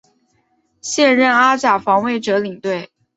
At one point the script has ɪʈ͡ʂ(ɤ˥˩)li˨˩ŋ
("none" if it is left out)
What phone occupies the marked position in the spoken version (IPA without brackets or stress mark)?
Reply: ɤ˧˥